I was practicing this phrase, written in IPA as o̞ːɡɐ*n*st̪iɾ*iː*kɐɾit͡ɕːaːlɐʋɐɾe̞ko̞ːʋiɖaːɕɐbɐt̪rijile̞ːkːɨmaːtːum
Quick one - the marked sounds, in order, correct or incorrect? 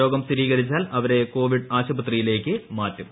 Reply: incorrect: m, correct

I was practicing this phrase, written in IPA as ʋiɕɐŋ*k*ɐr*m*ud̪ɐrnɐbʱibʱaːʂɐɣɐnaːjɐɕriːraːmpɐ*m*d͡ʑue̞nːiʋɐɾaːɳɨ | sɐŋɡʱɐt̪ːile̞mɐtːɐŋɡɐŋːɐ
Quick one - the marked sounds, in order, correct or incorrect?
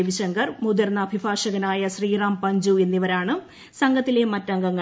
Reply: incorrect: ɡ, correct, incorrect: ɲ

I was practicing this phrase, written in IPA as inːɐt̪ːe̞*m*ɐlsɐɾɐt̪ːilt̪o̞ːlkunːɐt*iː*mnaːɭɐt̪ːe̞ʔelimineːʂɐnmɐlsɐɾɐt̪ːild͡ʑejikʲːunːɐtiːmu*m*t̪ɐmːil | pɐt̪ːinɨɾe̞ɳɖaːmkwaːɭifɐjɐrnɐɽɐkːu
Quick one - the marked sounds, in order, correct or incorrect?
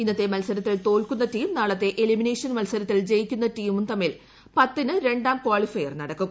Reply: correct, correct, correct

